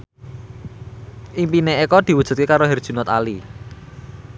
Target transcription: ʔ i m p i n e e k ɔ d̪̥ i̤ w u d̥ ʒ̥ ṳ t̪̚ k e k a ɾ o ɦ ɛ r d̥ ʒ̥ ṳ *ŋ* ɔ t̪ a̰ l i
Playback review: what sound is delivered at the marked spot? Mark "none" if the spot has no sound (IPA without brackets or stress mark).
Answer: n